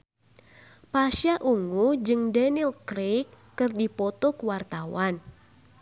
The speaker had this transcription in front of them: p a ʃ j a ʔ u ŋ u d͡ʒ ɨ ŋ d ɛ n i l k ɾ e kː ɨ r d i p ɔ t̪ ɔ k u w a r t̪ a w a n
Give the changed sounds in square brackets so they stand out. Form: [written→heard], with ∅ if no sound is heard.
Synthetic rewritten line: p a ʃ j a ʔ u ŋ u d͡ʒ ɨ ŋ d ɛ n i l k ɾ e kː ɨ r d i p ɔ t̪ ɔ k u w a r t̪ a w a n